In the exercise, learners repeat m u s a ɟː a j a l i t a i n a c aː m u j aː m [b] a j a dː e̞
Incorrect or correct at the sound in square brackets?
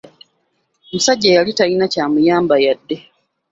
correct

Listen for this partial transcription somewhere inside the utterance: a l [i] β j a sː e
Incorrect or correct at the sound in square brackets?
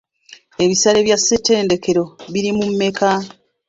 incorrect: e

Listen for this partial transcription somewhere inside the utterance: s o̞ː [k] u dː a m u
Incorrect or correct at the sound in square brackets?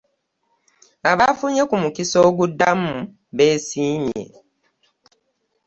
incorrect: ɡ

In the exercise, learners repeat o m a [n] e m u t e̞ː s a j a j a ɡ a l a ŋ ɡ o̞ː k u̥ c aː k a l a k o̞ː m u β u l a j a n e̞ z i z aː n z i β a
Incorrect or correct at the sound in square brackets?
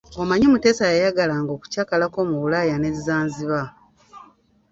incorrect: ɲ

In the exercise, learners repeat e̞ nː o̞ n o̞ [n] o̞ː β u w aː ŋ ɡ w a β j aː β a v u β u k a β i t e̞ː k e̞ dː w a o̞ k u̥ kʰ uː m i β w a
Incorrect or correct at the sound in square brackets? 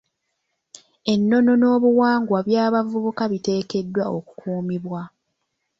correct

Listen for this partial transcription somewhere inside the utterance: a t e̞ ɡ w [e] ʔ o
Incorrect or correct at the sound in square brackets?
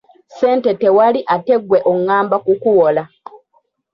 correct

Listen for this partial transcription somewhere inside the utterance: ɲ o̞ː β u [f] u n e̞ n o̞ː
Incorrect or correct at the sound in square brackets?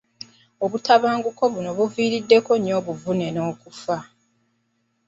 incorrect: v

